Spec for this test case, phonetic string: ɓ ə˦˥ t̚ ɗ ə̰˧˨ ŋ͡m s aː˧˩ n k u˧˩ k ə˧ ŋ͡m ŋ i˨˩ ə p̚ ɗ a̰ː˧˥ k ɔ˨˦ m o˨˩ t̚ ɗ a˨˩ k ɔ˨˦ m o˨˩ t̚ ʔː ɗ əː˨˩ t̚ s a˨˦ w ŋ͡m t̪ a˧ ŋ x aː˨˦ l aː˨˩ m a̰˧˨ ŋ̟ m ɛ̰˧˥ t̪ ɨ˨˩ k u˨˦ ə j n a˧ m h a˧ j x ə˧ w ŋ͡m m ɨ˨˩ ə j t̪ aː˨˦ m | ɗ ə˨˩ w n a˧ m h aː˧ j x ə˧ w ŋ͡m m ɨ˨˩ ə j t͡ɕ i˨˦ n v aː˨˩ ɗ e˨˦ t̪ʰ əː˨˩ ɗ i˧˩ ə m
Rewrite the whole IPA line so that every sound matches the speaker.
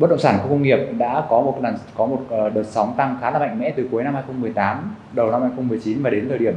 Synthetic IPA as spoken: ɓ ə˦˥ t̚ ɗ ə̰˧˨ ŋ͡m s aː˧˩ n k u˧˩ k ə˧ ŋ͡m ŋ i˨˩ ə p̚ ɗ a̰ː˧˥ k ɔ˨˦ m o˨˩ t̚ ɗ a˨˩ k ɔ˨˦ m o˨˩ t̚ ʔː ɗ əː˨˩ t̚ s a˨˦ w ŋ͡m t̪ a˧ ŋ x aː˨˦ l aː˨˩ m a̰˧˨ ŋ̟ m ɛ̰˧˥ t̪ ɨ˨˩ k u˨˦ ə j n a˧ m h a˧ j x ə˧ w ŋ͡m m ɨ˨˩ ə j t̪ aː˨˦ m | ɗ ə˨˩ w n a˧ m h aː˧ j x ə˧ w ŋ͡m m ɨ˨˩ ə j t͡ɕ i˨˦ n v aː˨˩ ɗ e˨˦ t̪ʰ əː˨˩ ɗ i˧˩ ə m